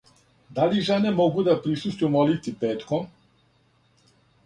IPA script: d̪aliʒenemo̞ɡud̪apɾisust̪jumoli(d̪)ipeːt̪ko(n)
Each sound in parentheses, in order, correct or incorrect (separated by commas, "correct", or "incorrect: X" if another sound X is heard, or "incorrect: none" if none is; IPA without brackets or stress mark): incorrect: t̪, incorrect: m